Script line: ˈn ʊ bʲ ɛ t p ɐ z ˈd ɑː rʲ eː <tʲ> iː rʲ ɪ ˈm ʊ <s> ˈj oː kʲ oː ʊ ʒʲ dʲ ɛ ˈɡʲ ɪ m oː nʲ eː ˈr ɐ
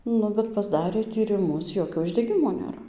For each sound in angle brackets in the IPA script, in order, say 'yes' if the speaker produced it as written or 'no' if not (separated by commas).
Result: yes, yes